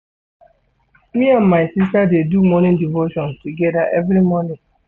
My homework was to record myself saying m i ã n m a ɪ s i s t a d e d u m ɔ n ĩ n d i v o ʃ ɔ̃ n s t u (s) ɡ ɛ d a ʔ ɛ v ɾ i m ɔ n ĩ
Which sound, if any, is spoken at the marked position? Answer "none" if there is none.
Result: none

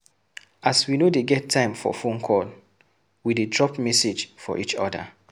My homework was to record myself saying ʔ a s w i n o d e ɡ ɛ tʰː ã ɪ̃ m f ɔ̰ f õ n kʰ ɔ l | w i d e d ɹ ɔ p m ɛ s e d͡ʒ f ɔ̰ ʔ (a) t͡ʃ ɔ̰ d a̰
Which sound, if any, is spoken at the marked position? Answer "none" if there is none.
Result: i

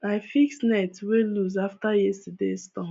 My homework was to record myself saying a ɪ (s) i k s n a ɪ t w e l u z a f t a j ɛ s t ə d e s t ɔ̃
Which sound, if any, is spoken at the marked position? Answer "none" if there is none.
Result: f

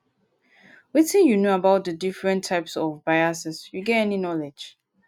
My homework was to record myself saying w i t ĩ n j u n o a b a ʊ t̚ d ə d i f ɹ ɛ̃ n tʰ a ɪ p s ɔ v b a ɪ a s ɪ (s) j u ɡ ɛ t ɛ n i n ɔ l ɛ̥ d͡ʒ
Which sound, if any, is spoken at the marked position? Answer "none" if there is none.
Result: s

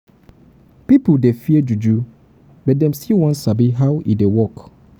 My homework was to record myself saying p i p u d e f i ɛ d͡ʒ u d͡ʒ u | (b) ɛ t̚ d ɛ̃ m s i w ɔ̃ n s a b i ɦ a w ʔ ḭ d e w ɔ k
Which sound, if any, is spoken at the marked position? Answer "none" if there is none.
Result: b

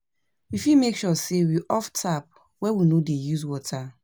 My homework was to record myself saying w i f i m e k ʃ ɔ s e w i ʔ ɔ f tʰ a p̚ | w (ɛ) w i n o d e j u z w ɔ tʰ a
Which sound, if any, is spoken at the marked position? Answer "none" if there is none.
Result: ɛ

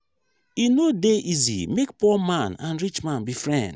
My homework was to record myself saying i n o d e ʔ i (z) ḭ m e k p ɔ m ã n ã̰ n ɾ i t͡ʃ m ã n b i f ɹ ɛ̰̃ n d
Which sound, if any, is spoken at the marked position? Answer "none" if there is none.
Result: z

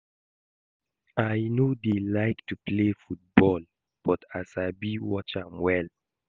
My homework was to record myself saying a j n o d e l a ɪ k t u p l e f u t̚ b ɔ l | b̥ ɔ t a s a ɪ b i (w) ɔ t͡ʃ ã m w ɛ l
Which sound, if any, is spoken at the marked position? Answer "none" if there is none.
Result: w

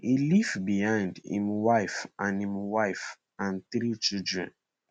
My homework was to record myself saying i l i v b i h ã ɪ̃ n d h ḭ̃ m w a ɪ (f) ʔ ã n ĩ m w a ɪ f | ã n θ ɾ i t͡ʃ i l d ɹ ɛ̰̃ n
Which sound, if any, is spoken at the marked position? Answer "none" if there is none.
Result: f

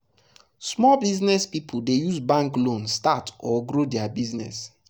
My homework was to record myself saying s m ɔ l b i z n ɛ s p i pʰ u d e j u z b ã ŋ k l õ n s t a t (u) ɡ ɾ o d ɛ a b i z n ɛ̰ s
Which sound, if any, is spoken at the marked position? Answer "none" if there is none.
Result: ɔ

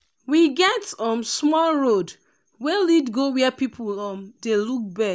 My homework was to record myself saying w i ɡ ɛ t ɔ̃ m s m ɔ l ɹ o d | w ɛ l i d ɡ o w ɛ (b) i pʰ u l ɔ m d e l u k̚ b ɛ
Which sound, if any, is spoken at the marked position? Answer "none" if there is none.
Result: p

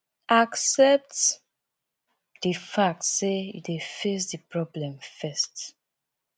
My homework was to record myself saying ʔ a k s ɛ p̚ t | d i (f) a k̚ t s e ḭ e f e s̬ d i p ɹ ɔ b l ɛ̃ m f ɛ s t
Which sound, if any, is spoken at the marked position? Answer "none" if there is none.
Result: f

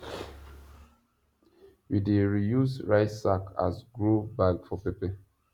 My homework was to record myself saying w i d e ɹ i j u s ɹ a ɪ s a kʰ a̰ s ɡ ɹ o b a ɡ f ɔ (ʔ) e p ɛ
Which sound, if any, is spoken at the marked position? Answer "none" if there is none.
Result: p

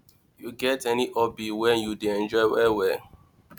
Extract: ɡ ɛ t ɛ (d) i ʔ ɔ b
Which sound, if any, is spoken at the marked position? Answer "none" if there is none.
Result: n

